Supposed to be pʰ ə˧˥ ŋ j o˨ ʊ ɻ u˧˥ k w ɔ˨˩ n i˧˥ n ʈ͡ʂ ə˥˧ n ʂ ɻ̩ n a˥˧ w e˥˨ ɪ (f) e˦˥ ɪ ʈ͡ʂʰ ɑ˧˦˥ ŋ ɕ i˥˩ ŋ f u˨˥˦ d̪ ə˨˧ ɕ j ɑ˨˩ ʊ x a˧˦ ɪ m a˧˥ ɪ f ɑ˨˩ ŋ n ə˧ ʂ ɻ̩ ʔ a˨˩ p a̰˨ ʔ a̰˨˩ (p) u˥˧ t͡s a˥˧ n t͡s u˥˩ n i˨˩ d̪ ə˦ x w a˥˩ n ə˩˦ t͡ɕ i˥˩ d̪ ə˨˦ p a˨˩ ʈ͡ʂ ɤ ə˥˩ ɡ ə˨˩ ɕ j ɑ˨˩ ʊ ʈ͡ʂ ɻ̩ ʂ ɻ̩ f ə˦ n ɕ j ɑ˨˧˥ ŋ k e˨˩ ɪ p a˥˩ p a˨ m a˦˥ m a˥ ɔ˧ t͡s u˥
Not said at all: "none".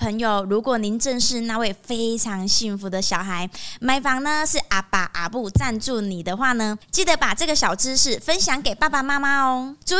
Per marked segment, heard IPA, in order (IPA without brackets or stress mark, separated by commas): f, p